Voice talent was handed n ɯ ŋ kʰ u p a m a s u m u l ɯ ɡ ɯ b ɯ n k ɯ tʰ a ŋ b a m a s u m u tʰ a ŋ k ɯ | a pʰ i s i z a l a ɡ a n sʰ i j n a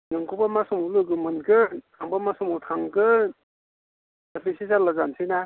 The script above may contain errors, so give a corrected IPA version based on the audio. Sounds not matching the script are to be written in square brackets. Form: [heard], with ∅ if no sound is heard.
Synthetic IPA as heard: n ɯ ŋ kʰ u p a m a s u m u l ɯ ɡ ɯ [m] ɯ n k ɯ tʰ a ŋ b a m a s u m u tʰ a ŋ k ɯ | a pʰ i s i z a l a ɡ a n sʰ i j n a